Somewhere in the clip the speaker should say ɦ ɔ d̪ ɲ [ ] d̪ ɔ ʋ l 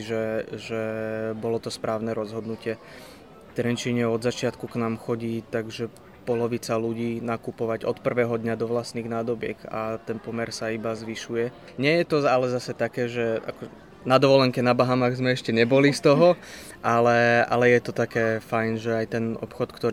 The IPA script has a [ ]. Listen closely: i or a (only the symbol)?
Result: a